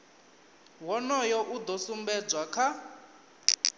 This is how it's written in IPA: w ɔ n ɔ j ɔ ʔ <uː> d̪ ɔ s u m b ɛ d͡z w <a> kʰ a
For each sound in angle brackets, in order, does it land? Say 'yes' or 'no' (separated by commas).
no, yes